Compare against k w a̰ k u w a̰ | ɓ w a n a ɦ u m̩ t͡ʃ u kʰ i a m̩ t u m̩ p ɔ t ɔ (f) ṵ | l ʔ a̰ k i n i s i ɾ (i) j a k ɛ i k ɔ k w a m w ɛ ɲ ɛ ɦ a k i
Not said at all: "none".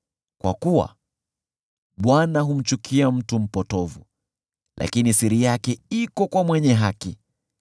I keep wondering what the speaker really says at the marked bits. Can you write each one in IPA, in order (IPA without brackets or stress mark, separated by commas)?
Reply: v, i